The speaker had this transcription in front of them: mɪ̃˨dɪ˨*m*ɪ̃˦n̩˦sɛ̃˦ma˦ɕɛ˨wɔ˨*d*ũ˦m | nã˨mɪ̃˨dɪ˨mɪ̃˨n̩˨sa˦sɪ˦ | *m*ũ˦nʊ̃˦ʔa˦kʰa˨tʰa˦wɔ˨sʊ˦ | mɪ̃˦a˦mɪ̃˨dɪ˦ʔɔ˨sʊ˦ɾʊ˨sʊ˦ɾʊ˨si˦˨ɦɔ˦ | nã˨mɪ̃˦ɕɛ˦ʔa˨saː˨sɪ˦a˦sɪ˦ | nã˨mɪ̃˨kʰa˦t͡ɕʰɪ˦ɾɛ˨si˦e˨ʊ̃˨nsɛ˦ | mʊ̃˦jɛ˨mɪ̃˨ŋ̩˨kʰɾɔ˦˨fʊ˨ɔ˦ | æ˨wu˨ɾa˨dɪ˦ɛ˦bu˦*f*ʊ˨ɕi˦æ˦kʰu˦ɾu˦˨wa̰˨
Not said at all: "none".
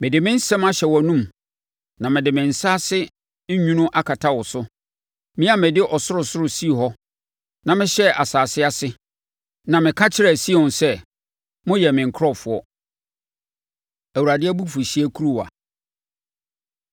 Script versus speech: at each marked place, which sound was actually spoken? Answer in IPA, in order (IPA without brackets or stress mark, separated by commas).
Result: m, n, ɲ, f